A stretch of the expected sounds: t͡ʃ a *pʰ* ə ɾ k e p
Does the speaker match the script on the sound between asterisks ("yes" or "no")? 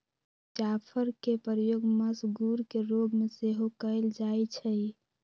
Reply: yes